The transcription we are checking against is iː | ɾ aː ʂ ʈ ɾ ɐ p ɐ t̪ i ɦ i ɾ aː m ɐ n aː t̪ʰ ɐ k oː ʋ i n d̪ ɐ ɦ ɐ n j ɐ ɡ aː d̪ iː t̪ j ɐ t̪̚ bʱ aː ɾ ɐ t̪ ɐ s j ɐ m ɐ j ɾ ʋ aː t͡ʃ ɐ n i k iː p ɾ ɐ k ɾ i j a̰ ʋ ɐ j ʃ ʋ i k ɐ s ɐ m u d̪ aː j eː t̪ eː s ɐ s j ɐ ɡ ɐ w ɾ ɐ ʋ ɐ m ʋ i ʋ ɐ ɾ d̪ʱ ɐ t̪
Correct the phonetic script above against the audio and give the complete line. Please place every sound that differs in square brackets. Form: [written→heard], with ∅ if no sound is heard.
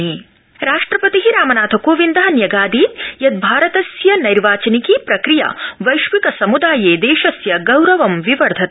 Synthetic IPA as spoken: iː | ɾ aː ʂ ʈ ɾ ɐ p ɐ t̪ i ɦ i ɾ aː m ɐ n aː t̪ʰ ɐ k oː ʋ i n d̪ ɐ ɦ ɐ n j ɐ ɡ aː d̪ iː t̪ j ɐ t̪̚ bʱ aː ɾ ɐ t̪ ɐ s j ɐ [m→n] ɐ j ɾ ʋ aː t͡ʃ ɐ n i k iː p ɾ ɐ k ɾ i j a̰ ʋ ɐ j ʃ ʋ i k ɐ s ɐ m u d̪ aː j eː [t̪→d̪] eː [s→ʃ] ɐ s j ɐ ɡ ɐ w ɾ ɐ ʋ ɐ m ʋ i ʋ ɐ ɾ d̪ʱ ɐ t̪